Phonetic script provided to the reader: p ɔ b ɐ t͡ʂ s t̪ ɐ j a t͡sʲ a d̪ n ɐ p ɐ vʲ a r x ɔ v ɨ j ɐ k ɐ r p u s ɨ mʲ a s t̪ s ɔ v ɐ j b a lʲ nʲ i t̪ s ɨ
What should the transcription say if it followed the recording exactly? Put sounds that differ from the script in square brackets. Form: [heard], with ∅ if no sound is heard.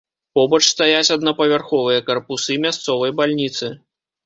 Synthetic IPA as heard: p ɔ b ɐ t͡ʂ s t̪ [a] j a t͡sʲ [ɐ] d̪ n ɐ p ɐ vʲ a r x ɔ v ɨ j ɐ k ɐ r p u s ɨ mʲ a s t̪ s ɔ v ɐ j b a lʲ nʲ i t̪ s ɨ